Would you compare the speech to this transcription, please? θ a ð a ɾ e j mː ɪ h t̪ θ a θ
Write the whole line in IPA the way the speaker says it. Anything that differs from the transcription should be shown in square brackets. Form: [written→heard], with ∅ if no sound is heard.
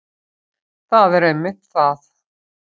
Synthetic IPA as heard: θ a ð [a→ɛ] ɾ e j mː ɪ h t̪ θ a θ